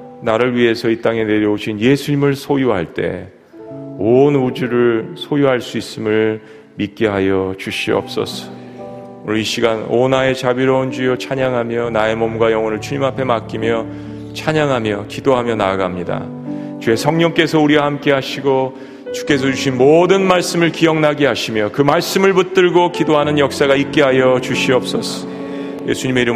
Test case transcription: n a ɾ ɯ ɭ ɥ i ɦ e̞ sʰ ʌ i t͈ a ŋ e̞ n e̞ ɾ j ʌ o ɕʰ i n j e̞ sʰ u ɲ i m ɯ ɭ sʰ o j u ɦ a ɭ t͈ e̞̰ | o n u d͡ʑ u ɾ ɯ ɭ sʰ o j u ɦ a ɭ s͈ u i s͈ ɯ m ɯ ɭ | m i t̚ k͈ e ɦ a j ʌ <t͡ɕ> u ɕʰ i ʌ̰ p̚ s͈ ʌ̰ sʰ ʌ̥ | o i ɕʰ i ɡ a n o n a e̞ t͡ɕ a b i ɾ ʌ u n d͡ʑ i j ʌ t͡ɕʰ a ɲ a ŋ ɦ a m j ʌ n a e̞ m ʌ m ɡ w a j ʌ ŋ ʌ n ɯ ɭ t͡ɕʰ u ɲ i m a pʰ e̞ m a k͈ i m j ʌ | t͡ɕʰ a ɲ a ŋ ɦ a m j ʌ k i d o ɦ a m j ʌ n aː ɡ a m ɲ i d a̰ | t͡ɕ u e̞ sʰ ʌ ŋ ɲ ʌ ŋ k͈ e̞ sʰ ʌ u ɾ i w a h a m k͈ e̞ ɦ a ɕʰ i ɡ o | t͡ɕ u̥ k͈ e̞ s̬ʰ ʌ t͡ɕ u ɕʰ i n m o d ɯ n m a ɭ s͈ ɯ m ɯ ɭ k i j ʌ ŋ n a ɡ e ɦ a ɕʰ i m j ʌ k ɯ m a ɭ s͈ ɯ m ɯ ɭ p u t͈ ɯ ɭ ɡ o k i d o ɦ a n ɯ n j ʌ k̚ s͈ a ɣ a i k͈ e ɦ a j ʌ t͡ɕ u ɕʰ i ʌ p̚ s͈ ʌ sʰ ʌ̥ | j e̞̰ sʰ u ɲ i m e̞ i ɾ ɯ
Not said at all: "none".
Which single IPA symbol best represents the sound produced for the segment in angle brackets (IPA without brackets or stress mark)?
t͡ɕ